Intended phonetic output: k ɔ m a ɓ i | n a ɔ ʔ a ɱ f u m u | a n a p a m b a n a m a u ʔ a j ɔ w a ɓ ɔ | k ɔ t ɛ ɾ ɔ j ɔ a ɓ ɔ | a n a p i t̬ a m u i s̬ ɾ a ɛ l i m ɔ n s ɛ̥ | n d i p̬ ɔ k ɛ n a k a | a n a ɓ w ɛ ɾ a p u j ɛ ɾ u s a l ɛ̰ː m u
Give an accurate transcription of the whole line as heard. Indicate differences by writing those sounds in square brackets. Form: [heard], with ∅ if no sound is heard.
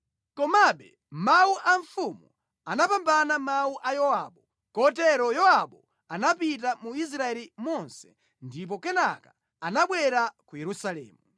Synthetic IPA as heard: k ɔ m a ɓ [ɛ] | [m] a [u] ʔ a ɱ f u m u | a n a p a m b a n a m a u ʔ a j ɔ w a ɓ ɔ | k ɔ t ɛ ɾ ɔ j ɔ a ɓ ɔ | a n a p i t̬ a m u i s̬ ɾ a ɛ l i m ɔ n s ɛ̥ | n d i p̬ ɔ k ɛ n a k a | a n a ɓ w ɛ ɾ a [k] u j ɛ ɾ u s a l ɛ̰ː m u